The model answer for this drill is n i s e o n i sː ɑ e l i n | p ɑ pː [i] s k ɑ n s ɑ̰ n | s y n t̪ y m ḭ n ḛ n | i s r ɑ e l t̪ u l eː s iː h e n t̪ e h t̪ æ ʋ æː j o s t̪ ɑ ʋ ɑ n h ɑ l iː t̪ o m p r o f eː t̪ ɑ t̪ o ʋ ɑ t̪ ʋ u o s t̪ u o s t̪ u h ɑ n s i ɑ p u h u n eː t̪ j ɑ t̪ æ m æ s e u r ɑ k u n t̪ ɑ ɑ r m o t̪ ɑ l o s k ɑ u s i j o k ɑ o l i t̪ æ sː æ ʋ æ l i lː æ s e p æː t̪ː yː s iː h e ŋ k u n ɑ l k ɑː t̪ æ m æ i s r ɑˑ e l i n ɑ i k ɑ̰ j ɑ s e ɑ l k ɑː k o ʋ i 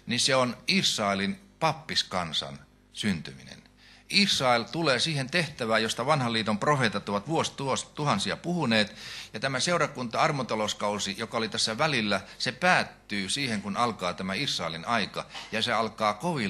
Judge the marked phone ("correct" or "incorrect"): correct